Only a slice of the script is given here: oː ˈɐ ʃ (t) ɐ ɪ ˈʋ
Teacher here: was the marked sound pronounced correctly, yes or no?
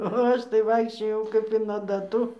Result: yes